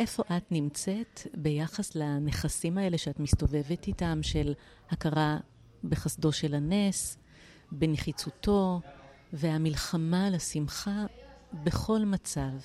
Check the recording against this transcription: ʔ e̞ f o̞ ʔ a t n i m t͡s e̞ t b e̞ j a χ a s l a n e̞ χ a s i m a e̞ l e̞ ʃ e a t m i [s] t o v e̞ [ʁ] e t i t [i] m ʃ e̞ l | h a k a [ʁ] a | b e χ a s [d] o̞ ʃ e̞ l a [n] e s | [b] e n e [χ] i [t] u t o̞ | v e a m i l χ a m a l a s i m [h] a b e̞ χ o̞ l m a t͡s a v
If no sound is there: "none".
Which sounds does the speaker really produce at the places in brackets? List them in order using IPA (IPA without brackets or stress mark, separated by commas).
s, v, a, ʁ, d, n, b, χ, t͡s, χ